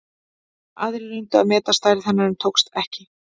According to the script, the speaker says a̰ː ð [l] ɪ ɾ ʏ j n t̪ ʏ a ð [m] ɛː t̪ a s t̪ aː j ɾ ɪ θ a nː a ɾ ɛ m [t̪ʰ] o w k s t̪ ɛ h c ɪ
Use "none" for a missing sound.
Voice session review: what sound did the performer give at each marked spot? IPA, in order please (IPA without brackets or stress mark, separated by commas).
ɾ, m, t̪ʰ